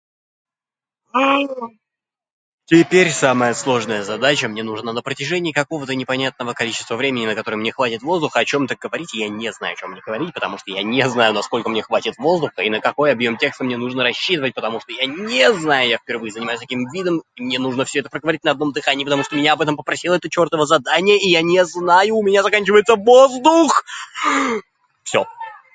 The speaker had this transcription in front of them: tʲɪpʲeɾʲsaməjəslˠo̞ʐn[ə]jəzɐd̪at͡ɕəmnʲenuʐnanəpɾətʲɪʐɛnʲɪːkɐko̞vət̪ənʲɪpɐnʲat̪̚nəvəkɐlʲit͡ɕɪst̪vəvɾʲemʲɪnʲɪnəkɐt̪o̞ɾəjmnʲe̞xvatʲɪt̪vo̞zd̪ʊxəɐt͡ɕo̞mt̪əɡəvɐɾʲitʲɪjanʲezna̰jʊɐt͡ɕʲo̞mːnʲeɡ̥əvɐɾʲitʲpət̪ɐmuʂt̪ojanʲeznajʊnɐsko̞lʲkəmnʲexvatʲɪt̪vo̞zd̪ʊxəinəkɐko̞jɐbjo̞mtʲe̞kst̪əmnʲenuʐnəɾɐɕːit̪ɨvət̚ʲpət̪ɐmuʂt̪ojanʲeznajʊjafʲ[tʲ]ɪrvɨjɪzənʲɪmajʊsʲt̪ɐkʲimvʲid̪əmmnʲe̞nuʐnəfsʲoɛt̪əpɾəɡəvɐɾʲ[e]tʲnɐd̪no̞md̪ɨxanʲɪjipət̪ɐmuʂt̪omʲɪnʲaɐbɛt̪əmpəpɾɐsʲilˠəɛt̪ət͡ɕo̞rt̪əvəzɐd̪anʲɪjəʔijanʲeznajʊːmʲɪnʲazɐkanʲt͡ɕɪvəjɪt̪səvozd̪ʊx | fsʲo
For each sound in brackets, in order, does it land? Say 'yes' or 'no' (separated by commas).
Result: yes, no, no